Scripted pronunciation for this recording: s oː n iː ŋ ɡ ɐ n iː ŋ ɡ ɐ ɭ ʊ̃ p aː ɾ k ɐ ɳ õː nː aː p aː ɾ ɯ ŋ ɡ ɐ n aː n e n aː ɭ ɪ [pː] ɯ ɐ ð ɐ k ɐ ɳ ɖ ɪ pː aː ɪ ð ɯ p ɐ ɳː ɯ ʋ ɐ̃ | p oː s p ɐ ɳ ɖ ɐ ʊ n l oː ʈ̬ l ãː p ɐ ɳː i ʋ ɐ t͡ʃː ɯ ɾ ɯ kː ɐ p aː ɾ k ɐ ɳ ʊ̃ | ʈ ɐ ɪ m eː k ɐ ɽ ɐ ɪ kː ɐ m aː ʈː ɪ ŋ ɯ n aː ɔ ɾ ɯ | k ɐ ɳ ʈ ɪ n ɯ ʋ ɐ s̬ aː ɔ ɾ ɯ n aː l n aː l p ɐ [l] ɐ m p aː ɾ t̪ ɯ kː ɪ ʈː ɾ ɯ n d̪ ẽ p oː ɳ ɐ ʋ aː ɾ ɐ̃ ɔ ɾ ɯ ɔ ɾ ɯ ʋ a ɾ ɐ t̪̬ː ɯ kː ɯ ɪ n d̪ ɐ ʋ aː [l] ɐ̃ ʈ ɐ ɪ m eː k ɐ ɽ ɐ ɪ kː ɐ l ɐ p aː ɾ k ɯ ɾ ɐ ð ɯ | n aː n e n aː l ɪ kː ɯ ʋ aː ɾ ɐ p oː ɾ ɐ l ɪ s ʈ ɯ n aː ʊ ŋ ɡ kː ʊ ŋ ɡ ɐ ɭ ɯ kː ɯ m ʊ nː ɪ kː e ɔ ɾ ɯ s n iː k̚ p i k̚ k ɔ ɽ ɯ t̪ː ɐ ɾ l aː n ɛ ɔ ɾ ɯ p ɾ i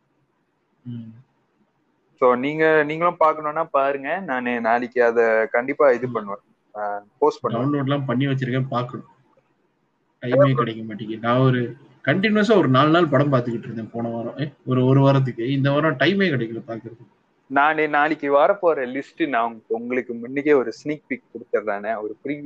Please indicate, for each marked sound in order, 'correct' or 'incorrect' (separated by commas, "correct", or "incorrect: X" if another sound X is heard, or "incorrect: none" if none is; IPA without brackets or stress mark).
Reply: incorrect: kː, incorrect: ɽ, incorrect: ɾ